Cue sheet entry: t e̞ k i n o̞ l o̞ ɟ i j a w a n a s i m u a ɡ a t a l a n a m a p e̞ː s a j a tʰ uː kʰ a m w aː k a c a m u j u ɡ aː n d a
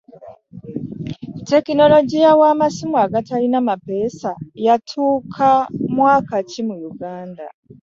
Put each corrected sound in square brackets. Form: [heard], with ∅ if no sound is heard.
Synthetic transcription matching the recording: t e̞ k i n o̞ l o̞ ɟ i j a w a [m] a s i m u a ɡ a t a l [i] n a m a p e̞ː s a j a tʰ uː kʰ a m w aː k a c [i] m u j u ɡ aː n d a